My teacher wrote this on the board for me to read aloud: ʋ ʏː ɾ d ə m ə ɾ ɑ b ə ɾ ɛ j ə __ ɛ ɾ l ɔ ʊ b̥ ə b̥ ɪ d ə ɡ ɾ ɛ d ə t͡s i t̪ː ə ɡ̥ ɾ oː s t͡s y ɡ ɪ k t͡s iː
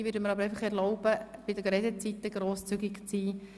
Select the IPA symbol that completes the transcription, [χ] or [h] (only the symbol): χ